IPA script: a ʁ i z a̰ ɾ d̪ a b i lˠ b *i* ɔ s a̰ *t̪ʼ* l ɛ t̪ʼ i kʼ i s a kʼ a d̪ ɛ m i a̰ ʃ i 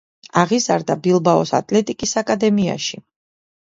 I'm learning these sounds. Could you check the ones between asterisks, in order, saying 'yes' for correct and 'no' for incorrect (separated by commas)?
no, yes